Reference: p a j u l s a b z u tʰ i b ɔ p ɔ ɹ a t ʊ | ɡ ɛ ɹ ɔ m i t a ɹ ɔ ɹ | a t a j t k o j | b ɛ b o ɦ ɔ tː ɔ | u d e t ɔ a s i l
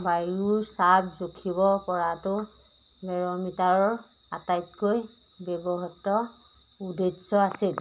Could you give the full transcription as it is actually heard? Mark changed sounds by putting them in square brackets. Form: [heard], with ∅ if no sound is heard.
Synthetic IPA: [b] a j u [ɹ] s a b z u [kʰ] i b ɔ p ɔ ɹ a t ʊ | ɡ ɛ ɹ ɔ m i t a ɹ ɔ ɹ | a t a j t k o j | b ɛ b [ɔ] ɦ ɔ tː ɔ | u d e [s] ɔ a s i l